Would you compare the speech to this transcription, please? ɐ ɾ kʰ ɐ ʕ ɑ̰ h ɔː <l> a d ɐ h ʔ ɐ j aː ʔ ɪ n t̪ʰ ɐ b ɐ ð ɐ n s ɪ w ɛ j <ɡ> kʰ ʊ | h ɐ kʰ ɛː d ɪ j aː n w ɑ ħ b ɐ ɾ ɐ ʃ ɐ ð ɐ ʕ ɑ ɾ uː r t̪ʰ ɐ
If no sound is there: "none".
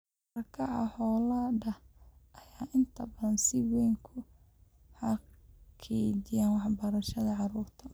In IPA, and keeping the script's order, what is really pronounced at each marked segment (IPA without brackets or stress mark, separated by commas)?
l, ŋ